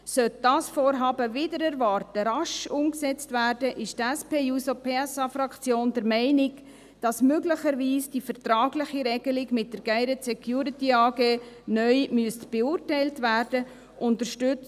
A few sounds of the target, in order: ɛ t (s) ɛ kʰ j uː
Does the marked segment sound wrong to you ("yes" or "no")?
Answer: no